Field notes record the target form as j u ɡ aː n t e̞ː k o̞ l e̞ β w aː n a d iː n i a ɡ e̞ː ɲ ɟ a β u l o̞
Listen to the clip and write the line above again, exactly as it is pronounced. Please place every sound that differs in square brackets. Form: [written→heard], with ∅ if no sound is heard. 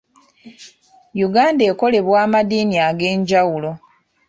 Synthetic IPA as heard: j u ɡ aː n [t→d] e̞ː k o̞ l e̞ β w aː [n→m] a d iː n i a ɡ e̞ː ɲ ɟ a [β→w] u l o̞